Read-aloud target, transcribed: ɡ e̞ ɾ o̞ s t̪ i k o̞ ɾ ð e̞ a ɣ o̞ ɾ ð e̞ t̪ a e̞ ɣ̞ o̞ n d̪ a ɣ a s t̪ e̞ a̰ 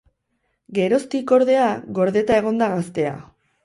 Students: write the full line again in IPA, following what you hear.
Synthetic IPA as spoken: ɡ e̞ ɾ o̞ s t̪ i k o̞ ɾ ð e̞ a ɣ o̞ ɾ ð e̞ t̪ a e̞ ɣ̞ o̞ n d̪ a ɣ a s t̪ e̞ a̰